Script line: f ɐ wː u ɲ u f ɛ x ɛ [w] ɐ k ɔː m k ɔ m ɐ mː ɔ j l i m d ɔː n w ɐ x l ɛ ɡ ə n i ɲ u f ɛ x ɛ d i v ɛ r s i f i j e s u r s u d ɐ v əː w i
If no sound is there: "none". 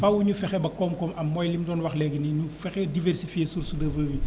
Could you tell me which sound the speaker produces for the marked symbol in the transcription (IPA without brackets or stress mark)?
b